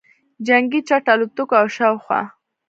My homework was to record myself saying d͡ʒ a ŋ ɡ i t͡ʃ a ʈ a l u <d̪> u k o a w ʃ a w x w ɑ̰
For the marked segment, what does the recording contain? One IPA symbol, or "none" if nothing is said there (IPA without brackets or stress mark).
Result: t̪